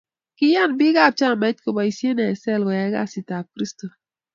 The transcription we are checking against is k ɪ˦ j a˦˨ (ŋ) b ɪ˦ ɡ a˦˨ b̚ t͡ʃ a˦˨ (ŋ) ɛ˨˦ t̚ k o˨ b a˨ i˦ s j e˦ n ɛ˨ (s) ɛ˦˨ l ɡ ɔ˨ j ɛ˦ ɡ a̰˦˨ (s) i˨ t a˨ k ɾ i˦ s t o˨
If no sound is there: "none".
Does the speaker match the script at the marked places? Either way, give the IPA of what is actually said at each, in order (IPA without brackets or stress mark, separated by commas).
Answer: n, m, s, s